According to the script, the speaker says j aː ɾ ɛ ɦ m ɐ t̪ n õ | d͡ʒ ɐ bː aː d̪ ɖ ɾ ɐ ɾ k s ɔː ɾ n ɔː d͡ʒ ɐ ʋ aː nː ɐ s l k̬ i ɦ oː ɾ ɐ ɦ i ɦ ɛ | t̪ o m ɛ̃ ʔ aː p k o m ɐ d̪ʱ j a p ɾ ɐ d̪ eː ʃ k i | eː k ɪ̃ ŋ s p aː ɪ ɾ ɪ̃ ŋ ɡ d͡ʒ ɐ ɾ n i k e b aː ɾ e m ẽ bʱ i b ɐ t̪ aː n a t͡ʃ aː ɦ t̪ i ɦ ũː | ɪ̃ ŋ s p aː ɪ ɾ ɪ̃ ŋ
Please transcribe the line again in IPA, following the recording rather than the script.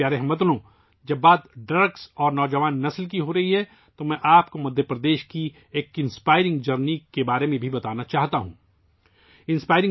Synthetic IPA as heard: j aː ɾ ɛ ɦ m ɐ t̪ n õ | d͡ʒ ɐ bː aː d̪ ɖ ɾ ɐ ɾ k s ɔː ɾ n ɔː d͡ʒ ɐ ʋ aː nː ɐ s l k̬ i ɦ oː ɾ ɐ ɦ i ɦ ɛ | t̪ o m ɛ̃ ʔ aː p k o m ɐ d̪ʱ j ə p ɾ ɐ d̪ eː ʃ k i | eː k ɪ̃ n s p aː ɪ ɾ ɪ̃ ŋ ɡ d͡ʒ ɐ ɾ n i k e b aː ɾ e m ẽ bʱ i b ɐ t̪ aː n a t͡ʃ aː ɦ t̪ a ɦ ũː | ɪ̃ n s p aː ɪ ɾ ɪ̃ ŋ